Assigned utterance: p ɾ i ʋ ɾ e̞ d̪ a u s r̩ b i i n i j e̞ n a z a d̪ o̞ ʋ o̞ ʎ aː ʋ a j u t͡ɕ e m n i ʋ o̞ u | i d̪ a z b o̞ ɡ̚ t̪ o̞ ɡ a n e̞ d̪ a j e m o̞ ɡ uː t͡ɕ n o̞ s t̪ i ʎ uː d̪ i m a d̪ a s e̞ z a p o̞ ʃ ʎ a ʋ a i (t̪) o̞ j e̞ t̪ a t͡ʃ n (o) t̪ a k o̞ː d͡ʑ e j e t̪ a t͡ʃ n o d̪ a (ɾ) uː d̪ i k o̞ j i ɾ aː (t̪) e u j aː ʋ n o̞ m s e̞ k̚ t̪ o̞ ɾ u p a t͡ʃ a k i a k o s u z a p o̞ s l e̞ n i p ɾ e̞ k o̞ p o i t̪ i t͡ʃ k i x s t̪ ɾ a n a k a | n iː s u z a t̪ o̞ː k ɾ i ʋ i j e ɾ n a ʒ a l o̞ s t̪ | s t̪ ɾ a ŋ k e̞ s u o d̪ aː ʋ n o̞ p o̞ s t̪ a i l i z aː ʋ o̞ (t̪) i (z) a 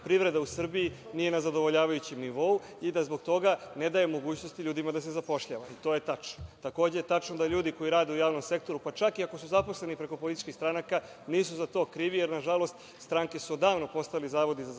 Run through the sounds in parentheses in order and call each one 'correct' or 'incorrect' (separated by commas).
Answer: correct, correct, incorrect, incorrect, incorrect, correct